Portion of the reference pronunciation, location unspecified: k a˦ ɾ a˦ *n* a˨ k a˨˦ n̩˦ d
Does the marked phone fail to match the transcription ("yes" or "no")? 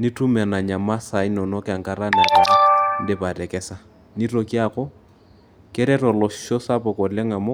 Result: no